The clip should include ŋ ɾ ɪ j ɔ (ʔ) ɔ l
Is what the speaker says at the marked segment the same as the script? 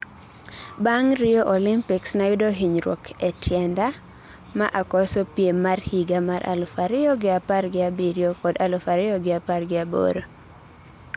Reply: yes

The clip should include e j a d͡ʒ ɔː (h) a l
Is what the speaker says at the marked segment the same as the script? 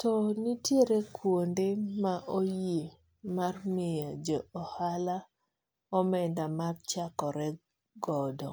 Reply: yes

